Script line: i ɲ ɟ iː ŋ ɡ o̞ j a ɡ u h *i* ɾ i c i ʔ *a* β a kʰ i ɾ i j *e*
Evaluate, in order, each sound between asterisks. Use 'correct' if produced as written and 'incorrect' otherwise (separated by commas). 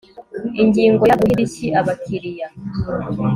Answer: correct, correct, incorrect